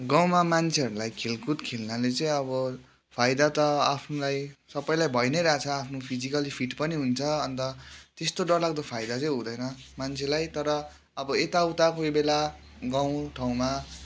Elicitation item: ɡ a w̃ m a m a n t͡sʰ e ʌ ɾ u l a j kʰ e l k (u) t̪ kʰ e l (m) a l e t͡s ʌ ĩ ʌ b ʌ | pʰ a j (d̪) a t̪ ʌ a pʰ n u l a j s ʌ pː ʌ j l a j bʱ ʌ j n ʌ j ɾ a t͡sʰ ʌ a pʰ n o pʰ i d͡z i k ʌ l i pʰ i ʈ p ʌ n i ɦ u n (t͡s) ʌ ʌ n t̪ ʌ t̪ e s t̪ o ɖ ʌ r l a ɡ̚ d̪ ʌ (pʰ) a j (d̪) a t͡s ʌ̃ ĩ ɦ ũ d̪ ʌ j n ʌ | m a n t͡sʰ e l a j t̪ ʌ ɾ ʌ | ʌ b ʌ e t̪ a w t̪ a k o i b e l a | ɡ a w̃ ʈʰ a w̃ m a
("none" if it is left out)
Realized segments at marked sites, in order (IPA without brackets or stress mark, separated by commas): u, n, d̪, t͡sʰ, pʰ, d̪